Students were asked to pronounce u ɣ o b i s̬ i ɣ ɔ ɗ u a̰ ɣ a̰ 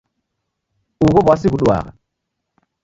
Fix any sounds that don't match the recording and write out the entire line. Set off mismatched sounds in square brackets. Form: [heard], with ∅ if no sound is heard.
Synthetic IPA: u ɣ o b [a] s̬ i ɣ [u] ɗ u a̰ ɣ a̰